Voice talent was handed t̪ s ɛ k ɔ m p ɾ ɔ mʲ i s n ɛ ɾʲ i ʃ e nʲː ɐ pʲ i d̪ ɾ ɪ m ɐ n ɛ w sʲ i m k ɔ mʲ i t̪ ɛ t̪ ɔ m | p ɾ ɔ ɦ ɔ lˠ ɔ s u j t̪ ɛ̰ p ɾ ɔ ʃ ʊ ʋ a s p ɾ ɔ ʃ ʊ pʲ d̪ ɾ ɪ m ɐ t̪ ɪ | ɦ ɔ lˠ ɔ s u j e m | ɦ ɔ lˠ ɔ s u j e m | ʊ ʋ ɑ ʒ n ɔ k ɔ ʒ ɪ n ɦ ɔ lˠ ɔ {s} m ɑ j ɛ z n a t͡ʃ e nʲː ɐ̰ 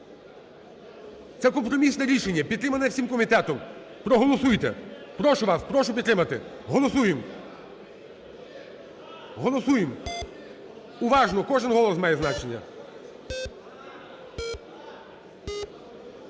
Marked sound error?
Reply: no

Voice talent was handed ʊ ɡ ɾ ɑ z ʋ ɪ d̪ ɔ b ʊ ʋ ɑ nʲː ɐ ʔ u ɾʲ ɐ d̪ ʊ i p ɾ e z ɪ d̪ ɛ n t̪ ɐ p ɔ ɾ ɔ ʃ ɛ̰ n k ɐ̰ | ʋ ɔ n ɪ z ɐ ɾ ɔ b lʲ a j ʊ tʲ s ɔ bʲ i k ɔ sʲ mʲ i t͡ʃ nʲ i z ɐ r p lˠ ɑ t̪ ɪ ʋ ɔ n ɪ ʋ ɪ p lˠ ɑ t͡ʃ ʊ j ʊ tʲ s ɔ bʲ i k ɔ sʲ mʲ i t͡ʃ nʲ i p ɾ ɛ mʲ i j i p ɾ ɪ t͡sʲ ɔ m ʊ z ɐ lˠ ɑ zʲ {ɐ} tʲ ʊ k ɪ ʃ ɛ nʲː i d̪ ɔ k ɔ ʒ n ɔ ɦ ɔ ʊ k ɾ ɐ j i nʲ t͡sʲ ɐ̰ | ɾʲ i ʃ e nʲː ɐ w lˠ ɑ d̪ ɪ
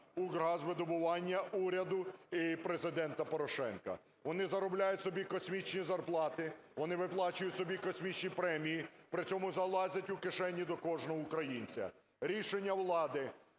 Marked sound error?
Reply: no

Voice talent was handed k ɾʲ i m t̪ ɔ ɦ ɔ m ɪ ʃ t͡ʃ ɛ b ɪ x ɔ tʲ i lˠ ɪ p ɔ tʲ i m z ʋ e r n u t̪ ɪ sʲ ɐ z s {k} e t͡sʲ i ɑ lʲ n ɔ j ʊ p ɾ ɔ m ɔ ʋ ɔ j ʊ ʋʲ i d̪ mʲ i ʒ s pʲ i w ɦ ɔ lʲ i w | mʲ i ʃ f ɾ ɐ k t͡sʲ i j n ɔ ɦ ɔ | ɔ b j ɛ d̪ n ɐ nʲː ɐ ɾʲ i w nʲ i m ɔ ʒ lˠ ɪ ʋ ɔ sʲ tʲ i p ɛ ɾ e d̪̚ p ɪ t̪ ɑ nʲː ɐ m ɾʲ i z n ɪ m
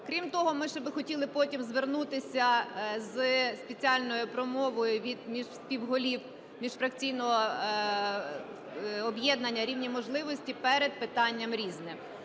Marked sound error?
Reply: yes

